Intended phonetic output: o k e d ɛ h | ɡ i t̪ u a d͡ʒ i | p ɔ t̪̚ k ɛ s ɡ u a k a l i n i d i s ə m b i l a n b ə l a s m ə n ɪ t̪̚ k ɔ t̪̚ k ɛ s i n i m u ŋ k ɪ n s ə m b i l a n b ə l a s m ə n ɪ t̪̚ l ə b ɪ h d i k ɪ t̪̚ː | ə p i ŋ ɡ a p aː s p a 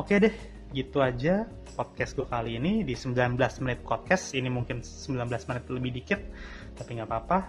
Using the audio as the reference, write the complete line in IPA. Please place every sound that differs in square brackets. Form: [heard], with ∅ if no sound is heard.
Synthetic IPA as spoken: o k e d ɛ h | ɡ i t̪ u a d͡ʒ [a] | p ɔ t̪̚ k ɛ s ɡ u a k a l [iː] n i d i s ə m b i l a n b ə l a s m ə n ɪ t̪̚ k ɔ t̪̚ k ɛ s i n i m u ŋ k ɪ n s ə m b i l a n b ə l a s m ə n ɪ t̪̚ l ə b ɪ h d i k ɪ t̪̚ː | [a] p i ŋ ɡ a p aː [∅] p a